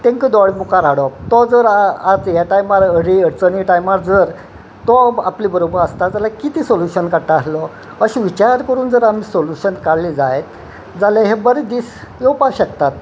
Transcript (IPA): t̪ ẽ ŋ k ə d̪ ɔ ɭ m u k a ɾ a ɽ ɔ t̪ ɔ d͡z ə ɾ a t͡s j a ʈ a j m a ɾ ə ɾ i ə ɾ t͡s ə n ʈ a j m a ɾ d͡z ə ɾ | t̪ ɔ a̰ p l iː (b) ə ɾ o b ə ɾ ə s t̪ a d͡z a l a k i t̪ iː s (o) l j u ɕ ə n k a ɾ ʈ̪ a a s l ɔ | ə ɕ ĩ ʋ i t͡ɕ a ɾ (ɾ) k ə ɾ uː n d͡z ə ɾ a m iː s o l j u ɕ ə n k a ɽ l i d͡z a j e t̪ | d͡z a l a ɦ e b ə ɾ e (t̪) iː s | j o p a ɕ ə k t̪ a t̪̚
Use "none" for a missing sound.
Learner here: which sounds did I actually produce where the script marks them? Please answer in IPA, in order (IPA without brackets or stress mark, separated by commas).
b, o, ɾ, d̪